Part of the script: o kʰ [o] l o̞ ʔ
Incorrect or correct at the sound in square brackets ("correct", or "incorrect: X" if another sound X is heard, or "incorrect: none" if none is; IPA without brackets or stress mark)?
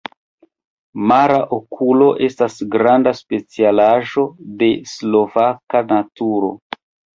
incorrect: u